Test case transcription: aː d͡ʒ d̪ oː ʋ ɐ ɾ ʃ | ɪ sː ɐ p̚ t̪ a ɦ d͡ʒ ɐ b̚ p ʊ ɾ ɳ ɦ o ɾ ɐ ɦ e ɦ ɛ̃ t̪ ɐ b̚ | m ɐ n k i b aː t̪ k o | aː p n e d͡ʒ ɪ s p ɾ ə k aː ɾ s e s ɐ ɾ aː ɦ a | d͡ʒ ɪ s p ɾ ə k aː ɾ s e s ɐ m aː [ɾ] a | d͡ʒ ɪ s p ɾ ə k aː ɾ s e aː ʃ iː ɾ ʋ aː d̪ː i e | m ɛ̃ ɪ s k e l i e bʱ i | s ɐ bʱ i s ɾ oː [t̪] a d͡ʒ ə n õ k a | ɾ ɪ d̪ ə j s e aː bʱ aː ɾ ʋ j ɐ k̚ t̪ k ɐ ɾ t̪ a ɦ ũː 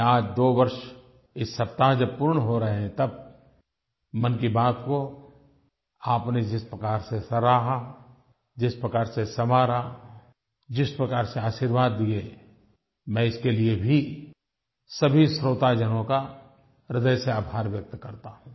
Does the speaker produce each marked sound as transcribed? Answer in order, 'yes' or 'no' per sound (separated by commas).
yes, yes